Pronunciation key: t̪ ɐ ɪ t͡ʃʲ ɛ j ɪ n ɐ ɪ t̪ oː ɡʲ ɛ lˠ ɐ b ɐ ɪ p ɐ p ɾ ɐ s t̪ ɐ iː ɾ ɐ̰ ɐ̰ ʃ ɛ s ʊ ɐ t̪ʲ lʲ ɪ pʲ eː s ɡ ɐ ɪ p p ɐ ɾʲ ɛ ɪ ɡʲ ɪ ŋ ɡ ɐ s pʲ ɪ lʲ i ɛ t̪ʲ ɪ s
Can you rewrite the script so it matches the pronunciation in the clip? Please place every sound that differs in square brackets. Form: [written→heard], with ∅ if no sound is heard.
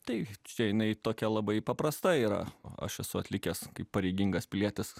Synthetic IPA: t̪ ɐ ɪ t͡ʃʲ ɛ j ɪ n ɐ ɪ t̪ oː [ɡʲ→kʲ] ɛ lˠ ɐ b ɐ ɪ p ɐ p ɾ ɐ s t̪ ɐ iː ɾ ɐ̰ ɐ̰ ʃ ɛ s ʊ ɐ t̪ʲ lʲ ɪ [pʲ→kʲ] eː s [ɡ→k] ɐ ɪ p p ɐ ɾʲ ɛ ɪ ɡʲ ɪ ŋ ɡ ɐ s pʲ ɪ lʲ i ɛ t̪ʲ ɪ s